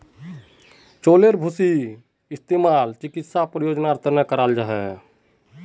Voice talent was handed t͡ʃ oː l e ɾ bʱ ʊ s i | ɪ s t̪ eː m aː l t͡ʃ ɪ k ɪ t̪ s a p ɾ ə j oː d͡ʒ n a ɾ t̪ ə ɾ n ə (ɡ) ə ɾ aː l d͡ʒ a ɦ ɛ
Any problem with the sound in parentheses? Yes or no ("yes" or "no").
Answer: yes